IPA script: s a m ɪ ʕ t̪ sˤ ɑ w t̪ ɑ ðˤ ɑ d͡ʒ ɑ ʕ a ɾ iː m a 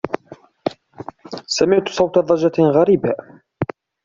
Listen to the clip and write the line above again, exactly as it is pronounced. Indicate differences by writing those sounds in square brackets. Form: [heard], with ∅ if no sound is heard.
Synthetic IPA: s a m ɪ ʕ t̪ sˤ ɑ w t̪ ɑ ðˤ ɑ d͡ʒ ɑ [ɣ] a ɾ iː [b] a